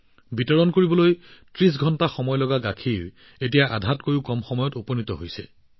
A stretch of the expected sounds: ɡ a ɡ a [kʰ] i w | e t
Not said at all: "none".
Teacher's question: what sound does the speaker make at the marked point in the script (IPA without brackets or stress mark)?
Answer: kʰ